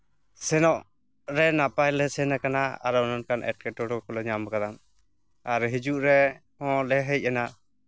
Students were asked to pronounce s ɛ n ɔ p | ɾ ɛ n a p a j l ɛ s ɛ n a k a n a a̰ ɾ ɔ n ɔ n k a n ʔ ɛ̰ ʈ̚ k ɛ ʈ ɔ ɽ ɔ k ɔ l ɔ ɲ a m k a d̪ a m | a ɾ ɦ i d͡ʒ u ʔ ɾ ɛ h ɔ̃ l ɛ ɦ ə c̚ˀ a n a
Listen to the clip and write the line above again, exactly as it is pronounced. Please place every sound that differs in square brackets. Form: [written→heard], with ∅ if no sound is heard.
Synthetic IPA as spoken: s ɛ n ɔ [p→ʔ] | ɾ ɛ n a p a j l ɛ s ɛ n a k a n a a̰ ɾ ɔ n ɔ n k a n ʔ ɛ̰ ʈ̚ k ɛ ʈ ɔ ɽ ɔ k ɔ l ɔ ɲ a m k a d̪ a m | a ɾ ɦ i d͡ʒ u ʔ ɾ ɛ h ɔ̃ l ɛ ɦ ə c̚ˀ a n a